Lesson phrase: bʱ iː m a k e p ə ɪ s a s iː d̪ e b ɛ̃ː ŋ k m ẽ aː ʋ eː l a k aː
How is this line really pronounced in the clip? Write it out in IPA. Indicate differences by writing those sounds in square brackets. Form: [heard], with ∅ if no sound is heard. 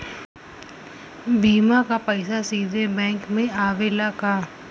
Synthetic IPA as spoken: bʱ iː m a k [a] p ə ɪ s a s iː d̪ e b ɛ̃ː ŋ k m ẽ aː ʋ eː l a k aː